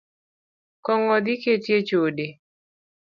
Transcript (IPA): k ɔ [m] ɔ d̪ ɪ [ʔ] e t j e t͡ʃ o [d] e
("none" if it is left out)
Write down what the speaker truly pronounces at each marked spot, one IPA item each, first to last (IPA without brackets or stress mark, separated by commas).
ŋ, k, d